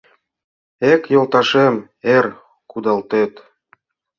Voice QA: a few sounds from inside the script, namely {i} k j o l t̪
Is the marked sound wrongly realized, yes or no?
yes